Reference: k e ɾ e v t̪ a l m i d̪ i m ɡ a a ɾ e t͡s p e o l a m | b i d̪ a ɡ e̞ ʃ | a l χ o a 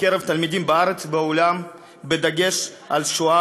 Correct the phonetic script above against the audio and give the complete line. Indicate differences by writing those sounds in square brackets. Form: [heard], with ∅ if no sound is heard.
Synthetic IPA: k e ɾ e v t̪ a l m i d̪ i m [b] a a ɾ e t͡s [b] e o l a m | b [e] d̪ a ɡ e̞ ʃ | a l [ʃ] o a